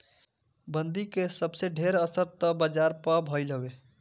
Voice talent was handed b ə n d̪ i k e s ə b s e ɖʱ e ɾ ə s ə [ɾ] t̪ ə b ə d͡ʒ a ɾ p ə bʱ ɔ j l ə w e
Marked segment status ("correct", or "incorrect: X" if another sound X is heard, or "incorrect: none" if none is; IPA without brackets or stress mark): correct